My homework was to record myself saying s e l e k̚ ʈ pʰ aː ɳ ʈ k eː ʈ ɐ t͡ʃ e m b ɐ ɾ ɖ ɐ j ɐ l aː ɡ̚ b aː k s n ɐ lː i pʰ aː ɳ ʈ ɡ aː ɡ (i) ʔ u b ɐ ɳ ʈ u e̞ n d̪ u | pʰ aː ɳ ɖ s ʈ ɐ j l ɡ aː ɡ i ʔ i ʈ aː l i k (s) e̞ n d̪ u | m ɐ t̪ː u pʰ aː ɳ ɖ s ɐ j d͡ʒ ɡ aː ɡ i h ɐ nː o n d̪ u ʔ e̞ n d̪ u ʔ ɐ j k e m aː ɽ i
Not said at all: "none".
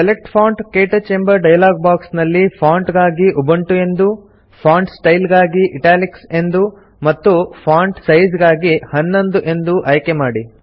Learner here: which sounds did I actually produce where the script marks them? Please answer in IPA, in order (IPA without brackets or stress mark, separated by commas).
i, s